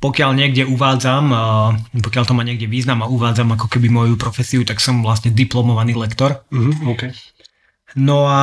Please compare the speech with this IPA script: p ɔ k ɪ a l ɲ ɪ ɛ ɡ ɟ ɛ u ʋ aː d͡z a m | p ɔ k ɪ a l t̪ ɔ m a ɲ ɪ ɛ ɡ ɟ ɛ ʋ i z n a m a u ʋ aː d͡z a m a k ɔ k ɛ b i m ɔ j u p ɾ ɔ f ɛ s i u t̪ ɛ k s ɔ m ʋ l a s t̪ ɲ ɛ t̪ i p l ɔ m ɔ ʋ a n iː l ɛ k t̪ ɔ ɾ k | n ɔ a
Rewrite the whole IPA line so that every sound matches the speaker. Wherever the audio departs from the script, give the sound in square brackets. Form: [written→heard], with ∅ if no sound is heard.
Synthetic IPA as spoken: p ɔ k ɪ a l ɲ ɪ ɛ ɡ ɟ ɛ u ʋ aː d͡z a m | p ɔ k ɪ a l t̪ ɔ m a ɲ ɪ ɛ ɡ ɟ ɛ ʋ [i→iː] z n a m a u ʋ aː d͡z a m a k ɔ k ɛ b i m ɔ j u p ɾ ɔ f ɛ s i u t̪ [ɛ→a] k s ɔ m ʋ l a s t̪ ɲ ɛ [t̪→d̪] i p l ɔ m ɔ ʋ a n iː l ɛ k t̪ ɔ ɾ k | n ɔ a